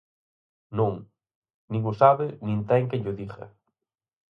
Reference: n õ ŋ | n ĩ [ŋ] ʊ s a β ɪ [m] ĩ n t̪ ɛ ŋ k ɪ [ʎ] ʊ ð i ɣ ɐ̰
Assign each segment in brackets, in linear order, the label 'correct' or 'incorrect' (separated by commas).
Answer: correct, incorrect, correct